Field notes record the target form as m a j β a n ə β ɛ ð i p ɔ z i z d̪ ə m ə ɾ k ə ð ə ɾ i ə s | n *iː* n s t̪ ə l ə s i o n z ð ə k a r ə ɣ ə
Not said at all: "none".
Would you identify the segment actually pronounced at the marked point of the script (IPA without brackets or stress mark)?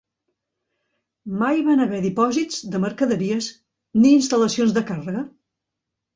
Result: iː